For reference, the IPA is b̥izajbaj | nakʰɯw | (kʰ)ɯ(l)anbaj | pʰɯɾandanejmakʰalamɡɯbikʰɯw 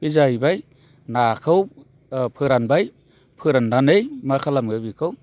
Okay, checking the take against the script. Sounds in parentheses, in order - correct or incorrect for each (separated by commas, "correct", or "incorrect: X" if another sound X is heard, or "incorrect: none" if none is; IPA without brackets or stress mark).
incorrect: pʰ, incorrect: ɾ